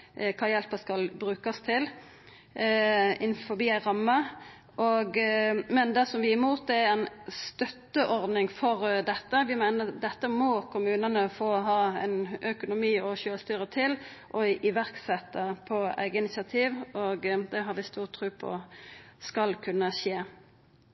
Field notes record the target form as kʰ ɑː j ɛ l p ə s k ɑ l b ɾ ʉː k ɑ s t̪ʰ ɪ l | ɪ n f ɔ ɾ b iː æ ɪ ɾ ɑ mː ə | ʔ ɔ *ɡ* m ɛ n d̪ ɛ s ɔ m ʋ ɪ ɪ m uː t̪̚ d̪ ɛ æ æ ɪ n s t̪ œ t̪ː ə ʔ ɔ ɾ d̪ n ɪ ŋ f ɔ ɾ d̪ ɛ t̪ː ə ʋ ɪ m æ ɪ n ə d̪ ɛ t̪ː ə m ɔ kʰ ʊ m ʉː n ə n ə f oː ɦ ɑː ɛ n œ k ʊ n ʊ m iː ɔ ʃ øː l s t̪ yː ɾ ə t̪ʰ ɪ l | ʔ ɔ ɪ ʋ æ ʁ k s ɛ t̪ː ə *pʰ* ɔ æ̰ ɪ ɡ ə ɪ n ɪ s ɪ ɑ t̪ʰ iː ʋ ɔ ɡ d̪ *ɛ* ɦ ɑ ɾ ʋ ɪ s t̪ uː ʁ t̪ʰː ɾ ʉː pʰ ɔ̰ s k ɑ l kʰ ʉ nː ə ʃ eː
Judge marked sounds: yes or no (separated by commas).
yes, yes, yes